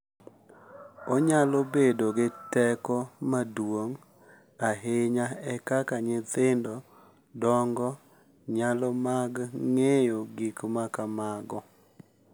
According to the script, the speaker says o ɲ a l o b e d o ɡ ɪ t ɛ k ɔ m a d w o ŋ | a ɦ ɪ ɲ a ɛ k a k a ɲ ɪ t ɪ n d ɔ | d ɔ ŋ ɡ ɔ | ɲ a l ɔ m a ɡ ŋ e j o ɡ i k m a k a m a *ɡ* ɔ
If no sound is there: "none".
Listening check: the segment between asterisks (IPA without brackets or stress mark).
ɡ